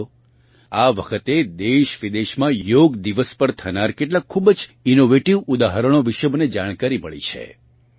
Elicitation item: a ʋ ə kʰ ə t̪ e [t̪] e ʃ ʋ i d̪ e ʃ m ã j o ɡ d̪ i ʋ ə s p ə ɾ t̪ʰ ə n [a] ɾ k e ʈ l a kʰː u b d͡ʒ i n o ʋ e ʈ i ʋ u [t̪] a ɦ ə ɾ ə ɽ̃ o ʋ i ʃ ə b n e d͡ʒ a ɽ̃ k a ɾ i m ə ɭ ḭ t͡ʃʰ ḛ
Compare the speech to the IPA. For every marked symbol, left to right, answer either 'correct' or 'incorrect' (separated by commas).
incorrect, correct, incorrect